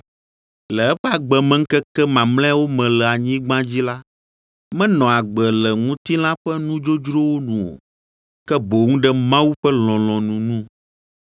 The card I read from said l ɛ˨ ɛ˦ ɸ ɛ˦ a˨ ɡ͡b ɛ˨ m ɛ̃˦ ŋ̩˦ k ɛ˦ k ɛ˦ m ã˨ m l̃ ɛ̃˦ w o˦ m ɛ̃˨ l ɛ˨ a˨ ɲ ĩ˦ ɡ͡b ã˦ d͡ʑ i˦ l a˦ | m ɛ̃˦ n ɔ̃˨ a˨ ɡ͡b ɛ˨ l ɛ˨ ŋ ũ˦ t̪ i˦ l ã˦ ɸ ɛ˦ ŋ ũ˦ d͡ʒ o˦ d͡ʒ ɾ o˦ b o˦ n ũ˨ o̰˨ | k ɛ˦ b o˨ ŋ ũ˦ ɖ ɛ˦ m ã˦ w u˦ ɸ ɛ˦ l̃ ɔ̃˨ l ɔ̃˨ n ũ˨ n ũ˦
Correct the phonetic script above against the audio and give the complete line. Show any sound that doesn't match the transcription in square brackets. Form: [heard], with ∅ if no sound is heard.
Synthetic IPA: l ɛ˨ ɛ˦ ɸ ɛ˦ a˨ ɡ͡b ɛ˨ m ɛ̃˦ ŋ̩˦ k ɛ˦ k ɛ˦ m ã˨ m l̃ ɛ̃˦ w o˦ m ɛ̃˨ l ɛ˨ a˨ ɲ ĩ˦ ɡ͡b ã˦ d͡ʑ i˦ l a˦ | m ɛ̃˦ n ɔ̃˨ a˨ ɡ͡b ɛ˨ l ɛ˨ ŋ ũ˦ t̪ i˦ l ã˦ ɸ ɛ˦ [n] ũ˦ d͡ʒ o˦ d͡ʒ ɾ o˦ [w] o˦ n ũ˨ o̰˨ | k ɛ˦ b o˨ ŋ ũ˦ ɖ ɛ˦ m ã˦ w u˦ ɸ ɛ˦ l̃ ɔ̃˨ l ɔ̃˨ n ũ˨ n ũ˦